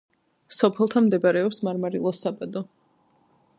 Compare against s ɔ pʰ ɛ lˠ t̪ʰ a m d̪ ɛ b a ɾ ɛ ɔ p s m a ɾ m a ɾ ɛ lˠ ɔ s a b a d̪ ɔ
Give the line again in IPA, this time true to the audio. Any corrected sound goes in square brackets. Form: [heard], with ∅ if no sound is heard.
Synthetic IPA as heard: s ɔ pʰ ɛ lˠ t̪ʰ a m d̪ ɛ b a ɾ ɛ ɔ p s m a ɾ m a ɾ [i] lˠ ɔ s a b a d̪ ɔ